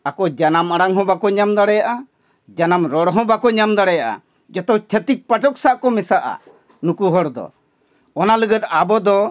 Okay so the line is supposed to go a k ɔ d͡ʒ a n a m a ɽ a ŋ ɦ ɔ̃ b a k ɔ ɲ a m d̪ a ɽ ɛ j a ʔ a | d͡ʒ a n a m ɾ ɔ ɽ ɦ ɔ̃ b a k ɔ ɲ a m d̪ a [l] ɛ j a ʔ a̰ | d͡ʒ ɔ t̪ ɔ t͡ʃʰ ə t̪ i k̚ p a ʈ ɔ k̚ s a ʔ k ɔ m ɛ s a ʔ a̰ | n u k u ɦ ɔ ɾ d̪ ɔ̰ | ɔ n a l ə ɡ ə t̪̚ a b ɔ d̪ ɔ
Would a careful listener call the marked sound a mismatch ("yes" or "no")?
yes